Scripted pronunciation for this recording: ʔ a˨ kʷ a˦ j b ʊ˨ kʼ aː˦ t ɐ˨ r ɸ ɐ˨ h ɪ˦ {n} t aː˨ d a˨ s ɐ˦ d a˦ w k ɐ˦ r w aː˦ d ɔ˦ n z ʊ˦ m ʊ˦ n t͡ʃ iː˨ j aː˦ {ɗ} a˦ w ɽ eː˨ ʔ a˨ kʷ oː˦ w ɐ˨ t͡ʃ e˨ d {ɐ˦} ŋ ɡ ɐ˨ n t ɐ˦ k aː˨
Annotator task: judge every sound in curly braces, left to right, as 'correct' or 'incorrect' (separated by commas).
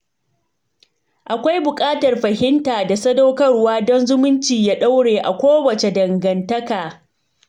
correct, correct, incorrect